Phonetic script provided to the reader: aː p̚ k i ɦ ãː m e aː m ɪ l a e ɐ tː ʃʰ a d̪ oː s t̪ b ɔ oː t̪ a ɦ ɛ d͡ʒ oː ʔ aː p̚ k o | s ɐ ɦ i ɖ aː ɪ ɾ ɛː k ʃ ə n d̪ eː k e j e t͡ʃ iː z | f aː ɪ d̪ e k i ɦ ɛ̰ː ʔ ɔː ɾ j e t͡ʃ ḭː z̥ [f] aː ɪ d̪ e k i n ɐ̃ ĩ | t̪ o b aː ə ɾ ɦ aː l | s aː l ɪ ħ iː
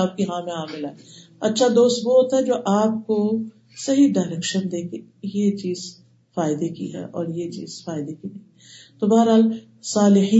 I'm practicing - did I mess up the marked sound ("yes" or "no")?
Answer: no